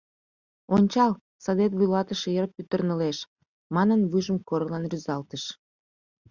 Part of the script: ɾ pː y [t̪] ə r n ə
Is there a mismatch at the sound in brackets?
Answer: no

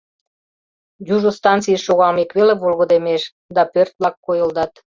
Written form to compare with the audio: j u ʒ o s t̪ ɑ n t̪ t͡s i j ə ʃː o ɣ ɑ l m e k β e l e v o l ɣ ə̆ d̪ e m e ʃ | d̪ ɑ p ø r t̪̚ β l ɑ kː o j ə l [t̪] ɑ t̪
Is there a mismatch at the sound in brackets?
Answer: yes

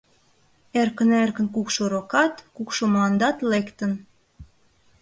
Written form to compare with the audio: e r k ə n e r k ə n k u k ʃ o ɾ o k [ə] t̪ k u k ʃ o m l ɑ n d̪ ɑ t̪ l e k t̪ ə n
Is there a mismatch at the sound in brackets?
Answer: yes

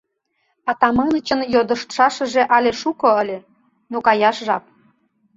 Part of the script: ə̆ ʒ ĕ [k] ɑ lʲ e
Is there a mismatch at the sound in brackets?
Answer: yes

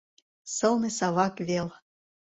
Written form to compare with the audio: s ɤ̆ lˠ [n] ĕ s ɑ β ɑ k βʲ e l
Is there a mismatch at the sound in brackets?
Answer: no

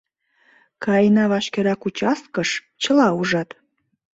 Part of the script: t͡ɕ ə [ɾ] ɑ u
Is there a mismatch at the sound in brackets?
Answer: yes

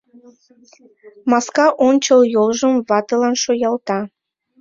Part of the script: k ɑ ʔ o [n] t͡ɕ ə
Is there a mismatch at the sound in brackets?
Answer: no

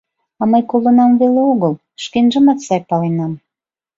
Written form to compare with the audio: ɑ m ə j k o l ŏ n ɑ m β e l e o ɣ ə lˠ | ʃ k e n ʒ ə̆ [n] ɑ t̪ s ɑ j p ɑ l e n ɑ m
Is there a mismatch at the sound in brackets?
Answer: yes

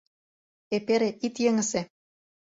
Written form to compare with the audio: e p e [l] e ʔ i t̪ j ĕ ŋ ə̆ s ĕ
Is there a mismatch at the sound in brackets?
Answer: yes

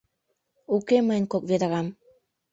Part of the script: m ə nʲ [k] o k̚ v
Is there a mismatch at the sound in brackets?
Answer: no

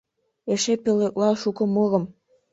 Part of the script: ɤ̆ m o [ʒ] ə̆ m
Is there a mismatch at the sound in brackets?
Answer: yes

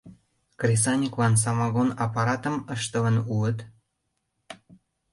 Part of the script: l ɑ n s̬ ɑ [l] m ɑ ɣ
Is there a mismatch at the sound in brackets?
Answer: yes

